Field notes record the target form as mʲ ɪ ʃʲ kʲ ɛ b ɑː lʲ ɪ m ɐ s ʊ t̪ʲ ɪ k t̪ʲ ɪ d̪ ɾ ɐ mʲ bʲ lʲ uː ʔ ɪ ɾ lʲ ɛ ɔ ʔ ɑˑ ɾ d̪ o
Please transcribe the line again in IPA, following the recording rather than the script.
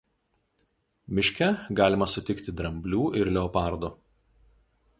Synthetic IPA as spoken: mʲ ɪ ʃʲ kʲ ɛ ɡ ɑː lʲ ɪ m ɐ s ʊ t̪ʲ ɪ k t̪ʲ ɪ d̪ ɾ ɐ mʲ bʲ lʲ uː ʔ ɪ ɾ lʲ ɛ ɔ p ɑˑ ɾ d̪ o